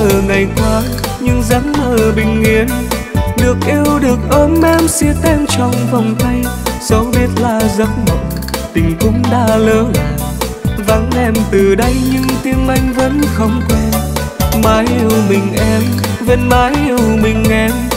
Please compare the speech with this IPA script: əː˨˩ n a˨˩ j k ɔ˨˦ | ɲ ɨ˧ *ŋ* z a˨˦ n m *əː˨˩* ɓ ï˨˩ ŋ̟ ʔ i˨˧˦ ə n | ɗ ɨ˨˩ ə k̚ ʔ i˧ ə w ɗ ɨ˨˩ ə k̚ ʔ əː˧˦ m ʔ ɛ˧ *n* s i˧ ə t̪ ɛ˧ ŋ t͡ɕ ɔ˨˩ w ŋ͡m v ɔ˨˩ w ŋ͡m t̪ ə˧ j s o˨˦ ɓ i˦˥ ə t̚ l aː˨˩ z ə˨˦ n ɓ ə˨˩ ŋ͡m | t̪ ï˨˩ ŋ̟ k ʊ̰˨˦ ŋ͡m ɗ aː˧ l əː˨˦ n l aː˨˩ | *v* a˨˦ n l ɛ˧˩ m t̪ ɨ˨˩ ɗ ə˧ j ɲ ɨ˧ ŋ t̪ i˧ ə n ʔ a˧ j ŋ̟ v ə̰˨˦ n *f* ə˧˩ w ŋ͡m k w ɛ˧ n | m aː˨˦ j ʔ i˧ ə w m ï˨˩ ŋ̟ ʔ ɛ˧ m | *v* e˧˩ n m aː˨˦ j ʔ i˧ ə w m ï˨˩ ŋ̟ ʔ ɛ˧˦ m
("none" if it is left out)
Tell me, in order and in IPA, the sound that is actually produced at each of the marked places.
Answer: ŋ, əː˨˩, m, v, x, v

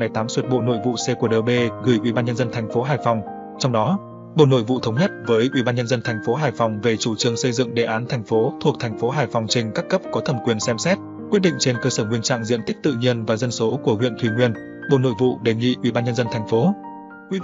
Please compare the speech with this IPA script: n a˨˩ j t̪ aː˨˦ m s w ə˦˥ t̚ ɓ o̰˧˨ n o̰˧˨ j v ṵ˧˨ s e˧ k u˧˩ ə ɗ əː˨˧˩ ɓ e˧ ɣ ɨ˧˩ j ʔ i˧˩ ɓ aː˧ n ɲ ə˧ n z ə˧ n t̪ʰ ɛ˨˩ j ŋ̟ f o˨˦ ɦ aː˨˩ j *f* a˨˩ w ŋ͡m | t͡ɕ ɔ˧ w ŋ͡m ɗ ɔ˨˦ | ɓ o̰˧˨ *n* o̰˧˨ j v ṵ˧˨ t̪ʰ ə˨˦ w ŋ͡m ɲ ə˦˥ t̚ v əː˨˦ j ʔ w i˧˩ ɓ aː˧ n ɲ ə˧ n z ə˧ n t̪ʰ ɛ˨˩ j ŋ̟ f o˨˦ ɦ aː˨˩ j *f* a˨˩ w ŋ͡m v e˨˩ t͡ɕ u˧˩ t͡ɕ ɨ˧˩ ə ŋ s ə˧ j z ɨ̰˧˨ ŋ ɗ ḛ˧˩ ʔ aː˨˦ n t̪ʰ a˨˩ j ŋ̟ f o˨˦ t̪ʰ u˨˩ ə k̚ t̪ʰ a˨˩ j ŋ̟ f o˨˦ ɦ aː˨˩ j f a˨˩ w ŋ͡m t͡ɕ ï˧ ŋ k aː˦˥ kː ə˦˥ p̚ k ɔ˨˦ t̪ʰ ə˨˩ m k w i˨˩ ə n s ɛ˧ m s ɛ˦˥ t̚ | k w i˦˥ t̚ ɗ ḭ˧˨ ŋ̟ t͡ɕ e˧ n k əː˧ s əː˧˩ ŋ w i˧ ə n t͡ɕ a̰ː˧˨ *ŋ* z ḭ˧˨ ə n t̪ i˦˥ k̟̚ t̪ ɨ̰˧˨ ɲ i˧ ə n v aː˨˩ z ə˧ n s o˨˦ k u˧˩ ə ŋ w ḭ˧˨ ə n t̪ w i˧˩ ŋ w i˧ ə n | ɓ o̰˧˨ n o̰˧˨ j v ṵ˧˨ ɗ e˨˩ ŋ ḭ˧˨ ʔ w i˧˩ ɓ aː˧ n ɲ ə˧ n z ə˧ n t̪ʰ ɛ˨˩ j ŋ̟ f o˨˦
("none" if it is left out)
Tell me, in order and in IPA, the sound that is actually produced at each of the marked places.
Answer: f, n, f, ŋ

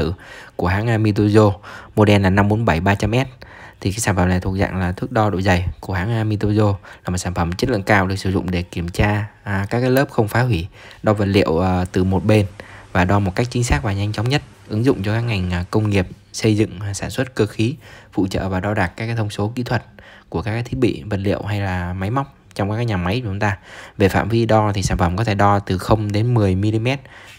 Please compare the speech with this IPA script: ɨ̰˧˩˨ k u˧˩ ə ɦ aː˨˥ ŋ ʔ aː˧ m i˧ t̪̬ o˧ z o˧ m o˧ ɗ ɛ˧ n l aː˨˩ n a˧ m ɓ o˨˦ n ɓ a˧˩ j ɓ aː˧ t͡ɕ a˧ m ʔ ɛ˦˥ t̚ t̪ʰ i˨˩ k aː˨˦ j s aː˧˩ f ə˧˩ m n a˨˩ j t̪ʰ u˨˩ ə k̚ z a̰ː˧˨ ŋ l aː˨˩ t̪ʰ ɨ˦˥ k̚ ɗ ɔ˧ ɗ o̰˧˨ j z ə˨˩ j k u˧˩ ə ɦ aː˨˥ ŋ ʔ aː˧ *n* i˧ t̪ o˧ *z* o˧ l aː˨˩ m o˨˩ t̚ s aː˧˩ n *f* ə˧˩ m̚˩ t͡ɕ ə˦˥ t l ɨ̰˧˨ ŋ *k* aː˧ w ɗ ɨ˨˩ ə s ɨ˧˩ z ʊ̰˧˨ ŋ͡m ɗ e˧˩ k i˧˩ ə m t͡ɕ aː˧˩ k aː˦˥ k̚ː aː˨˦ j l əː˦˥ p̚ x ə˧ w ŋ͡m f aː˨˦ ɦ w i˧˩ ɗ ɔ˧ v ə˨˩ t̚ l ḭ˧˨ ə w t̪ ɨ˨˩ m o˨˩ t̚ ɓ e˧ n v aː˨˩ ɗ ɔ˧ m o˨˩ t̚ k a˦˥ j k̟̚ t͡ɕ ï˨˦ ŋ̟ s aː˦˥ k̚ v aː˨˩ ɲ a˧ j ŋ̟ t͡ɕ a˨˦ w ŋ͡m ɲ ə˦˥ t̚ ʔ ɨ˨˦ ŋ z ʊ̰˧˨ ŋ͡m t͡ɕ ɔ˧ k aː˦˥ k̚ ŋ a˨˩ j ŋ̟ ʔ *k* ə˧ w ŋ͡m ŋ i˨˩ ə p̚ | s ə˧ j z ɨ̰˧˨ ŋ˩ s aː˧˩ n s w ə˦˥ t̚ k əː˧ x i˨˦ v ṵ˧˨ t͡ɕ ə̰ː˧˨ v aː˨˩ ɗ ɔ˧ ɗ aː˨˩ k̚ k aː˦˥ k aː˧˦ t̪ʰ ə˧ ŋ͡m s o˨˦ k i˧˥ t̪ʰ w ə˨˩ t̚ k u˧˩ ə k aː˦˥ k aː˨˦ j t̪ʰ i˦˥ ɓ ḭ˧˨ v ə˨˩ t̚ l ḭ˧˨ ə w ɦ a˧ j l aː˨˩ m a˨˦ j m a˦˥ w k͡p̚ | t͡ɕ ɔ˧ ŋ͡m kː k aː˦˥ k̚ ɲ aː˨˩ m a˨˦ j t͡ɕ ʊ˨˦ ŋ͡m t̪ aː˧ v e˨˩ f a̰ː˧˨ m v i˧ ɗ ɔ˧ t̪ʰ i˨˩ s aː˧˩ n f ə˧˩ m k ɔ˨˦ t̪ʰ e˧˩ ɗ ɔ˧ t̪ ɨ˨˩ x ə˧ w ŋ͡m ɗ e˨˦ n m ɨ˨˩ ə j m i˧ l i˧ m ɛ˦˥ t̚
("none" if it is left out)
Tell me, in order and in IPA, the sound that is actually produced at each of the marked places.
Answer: m, z, f, k, k

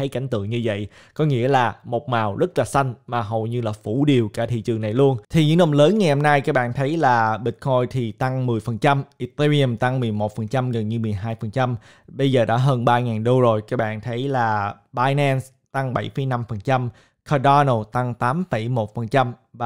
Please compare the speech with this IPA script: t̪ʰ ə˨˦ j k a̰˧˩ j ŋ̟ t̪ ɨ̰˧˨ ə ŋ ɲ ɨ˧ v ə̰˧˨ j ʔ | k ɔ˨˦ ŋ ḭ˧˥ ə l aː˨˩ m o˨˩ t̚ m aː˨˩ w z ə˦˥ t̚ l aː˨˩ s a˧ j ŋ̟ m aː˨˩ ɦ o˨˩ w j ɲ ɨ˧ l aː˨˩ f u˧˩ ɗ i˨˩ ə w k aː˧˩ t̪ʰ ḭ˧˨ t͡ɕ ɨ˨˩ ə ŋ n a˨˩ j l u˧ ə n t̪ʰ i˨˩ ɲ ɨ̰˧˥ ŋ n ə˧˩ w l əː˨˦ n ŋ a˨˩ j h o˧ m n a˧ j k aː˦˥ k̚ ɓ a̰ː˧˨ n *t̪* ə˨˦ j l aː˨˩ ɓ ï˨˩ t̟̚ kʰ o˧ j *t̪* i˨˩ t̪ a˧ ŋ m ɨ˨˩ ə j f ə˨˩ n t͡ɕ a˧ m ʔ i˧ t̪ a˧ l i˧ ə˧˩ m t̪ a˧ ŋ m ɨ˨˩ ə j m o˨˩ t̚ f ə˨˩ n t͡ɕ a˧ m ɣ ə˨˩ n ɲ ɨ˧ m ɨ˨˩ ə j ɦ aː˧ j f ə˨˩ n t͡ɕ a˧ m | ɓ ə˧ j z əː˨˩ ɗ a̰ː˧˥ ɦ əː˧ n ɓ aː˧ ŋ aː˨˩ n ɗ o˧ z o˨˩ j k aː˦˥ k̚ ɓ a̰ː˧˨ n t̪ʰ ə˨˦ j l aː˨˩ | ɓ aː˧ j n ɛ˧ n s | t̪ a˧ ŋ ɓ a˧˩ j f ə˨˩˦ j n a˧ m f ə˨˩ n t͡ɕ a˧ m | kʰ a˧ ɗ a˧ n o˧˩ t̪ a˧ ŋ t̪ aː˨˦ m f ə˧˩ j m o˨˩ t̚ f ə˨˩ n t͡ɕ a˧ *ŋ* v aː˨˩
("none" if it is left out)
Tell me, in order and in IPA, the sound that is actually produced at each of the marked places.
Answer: t̪ʰ, t̪ʰ, m

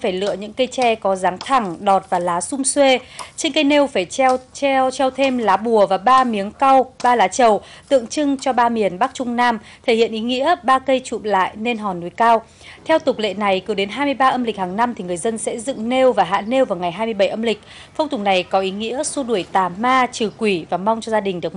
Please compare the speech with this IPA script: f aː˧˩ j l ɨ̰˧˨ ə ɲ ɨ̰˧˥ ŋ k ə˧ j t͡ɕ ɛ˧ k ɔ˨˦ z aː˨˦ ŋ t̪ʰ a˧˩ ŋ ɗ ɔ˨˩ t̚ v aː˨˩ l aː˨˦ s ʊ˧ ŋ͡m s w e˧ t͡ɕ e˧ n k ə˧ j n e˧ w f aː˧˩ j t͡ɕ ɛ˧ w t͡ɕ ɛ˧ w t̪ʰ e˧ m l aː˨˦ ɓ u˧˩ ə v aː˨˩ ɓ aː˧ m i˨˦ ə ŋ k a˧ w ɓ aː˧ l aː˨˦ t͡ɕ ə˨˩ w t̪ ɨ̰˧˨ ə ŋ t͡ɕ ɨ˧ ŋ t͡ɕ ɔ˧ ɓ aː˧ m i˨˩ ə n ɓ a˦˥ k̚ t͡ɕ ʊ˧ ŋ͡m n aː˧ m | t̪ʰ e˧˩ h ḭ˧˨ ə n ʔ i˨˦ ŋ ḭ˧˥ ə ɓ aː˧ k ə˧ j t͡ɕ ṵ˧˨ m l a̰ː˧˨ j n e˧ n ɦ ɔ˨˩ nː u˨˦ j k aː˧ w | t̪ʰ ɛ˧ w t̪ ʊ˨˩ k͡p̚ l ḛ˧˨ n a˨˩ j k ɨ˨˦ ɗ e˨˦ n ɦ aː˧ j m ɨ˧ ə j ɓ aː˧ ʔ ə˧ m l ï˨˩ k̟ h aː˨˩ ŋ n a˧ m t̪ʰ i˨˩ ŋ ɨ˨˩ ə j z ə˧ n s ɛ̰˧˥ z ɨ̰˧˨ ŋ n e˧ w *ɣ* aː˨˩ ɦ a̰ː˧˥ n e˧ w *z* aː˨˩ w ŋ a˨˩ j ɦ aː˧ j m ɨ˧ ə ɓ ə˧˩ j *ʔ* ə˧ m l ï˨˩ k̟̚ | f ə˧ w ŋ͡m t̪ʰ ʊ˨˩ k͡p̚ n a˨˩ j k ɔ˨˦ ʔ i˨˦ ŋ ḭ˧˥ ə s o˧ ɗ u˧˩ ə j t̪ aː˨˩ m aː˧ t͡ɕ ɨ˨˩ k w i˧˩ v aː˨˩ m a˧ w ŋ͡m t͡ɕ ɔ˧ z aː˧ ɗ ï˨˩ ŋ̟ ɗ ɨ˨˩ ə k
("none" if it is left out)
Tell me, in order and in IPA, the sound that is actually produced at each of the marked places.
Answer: v, v, ʔ

